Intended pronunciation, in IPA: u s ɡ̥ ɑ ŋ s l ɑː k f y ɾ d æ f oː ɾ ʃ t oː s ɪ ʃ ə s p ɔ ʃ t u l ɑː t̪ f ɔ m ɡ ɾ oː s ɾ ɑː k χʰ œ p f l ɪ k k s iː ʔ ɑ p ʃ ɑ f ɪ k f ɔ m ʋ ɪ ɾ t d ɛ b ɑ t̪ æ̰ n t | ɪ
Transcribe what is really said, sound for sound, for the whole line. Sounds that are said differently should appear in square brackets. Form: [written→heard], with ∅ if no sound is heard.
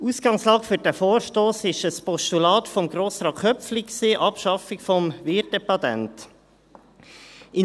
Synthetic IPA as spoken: u s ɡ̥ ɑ ŋ s l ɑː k f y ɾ d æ f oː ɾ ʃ t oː s ɪ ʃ ə s p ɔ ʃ t u l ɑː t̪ f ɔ m ɡ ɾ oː s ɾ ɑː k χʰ œ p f l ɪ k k s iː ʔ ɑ p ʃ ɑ f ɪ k f ɔ m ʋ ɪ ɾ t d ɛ [b→p] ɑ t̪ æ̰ n t | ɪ

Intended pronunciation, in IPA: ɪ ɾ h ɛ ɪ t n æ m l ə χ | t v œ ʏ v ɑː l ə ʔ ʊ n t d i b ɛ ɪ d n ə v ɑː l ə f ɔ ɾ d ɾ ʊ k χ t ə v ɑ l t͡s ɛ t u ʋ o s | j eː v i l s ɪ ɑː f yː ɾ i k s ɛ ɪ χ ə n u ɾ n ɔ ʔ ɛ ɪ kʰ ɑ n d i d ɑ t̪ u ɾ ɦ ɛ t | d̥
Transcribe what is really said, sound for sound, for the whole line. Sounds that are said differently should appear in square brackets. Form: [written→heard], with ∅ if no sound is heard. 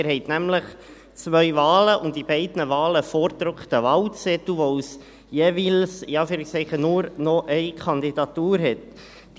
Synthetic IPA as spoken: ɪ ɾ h ɛ ɪ t n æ m l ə χ | [t→t͡s] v œ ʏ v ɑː l ə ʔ ʊ n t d i b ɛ ɪ d n ə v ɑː l ə f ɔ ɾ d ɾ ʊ k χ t ə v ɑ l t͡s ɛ t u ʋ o s | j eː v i l s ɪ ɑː f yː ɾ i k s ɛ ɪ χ ə n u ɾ n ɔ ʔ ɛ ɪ kʰ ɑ n d i d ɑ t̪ [u→uː] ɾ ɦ ɛ t | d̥

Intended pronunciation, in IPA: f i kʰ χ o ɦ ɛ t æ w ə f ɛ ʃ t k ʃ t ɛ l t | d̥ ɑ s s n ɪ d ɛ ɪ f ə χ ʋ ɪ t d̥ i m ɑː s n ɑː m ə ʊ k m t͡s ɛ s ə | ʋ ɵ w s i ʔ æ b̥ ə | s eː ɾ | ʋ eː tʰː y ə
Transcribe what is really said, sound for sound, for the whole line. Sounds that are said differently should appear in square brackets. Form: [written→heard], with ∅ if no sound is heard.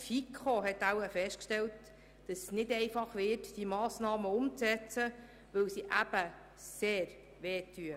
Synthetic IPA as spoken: f i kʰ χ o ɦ ɛ t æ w ə f ɛ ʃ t k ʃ t ɛ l t | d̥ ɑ s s n ɪ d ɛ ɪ f [ə→ɑ] χ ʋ ɪ t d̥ i m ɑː s n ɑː m ə ʊ [k→∅] m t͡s ɛ [s→t͡s] ə | ʋ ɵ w s i ʔ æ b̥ ə | s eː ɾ | ʋ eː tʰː y ə

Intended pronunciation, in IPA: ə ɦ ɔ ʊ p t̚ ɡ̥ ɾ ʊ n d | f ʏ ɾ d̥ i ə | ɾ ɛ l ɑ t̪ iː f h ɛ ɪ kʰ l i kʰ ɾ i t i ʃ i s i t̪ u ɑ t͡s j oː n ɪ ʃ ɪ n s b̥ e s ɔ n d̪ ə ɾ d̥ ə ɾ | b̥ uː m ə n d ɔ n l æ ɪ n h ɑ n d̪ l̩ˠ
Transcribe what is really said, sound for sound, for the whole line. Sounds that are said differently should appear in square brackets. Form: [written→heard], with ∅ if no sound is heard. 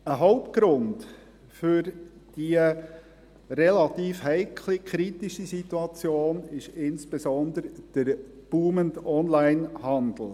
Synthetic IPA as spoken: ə ɦ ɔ ʊ p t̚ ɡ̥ ɾ ʊ n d | f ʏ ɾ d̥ i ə | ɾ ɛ l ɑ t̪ iː f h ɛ ɪ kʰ l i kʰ ɾ i t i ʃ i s i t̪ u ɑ t͡s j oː n ɪ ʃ ɪ n s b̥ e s ɔ n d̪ ə ɾ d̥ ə ɾ | b̥ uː m ə n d ɔ n l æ ɪ n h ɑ n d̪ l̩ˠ

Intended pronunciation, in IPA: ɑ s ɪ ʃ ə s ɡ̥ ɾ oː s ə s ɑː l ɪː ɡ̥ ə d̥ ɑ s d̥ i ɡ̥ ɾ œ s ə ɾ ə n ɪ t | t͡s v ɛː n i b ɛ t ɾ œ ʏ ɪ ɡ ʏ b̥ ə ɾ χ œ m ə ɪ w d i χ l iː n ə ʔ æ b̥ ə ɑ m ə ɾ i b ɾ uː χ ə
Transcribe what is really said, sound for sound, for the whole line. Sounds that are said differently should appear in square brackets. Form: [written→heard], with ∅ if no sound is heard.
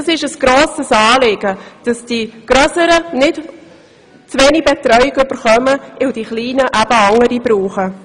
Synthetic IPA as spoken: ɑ s ɪ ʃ ə s ɡ̥ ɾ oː s ə s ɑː l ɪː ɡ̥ ə d̥ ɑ s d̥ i ɡ̥ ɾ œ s ə ɾ ə n ɪ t | t͡s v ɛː n i b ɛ t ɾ œ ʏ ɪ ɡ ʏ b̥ ə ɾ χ œ m ə ɪ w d i χ l iː n ə ʔ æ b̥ ə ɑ [m→ŋ] ə ɾ i b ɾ uː χ ə

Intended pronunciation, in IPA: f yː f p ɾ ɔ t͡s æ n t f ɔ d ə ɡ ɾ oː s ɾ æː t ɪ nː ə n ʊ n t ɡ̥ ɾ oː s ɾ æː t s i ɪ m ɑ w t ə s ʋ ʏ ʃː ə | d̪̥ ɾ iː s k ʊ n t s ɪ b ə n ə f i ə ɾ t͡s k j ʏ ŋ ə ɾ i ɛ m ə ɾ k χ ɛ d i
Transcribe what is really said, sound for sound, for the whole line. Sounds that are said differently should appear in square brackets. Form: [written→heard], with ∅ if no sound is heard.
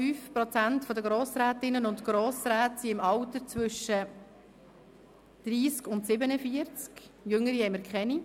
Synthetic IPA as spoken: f yː f p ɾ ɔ t͡s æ n t f ɔ d ə ɡ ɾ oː s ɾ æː t ɪ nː ə n ʊ n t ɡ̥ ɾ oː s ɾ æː t s i ɪ m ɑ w t ə [s→t͡s] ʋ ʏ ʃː ə | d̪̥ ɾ iː s k ʊ n t s ɪ b ə n ə f i ə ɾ t͡s k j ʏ ŋ ə ɾ i ɛ m ə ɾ k χ ɛ [d→n] i

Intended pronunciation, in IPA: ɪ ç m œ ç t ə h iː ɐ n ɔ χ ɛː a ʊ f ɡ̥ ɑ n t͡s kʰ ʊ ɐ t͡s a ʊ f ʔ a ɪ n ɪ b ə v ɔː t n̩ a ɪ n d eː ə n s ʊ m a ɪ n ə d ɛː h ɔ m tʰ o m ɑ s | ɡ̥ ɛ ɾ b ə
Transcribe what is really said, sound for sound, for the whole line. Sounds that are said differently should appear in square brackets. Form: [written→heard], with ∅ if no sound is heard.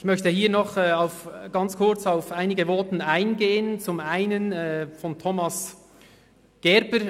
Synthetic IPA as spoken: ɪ ç m œ ç t ə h iː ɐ n ɔ χ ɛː a ʊ f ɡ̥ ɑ n t͡s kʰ ʊ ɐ t͡s a ʊ f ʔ a ɪ n ɪ [b→ɡ] ə v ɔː t n̩ a ɪ n [d→ɡ] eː ə n [s→t͡s] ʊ m a ɪ n ə [d→n] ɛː [h→f] ɔ [m→n] tʰ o m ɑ s | ɡ̥ ɛ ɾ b ə

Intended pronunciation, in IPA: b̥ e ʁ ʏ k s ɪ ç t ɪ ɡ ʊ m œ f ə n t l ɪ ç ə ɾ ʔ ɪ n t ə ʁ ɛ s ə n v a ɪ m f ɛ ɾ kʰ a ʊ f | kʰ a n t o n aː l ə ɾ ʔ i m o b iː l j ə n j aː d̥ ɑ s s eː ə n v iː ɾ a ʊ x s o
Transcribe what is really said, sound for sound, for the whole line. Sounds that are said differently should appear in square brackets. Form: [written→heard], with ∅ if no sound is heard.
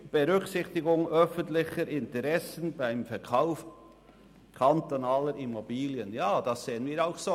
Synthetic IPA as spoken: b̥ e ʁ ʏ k s ɪ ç t ɪ ɡ ʊ [m→ŋ] œ f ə n t l ɪ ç ə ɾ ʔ ɪ n t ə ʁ ɛ s ə n [v→b] a ɪ m f ɛ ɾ kʰ a ʊ f | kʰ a n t o n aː l ə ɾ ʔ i m o b iː l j ə n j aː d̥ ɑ s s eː ə n v iː ɾ a ʊ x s o

